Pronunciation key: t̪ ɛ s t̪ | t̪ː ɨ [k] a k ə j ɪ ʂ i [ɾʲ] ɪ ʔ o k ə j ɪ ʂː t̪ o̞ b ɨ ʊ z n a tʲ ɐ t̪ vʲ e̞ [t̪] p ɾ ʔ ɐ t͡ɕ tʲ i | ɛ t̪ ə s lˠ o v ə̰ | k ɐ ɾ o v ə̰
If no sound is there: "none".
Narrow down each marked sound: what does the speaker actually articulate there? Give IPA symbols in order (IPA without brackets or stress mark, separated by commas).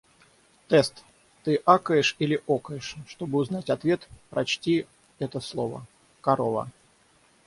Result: ʔ, lʲ, t̪